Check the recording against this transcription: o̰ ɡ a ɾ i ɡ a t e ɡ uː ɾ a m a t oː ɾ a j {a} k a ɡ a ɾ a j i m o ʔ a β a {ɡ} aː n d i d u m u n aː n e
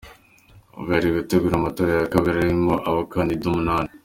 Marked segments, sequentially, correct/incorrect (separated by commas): correct, incorrect